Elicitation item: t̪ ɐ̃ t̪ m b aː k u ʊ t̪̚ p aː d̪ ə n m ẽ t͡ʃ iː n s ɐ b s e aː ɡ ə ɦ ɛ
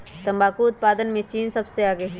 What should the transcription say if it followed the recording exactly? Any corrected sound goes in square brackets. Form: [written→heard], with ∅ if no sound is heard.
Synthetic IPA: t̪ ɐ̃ [t̪→∅] m b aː k u ʊ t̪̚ p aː d̪ ə n m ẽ t͡ʃ iː n s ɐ b s e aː ɡ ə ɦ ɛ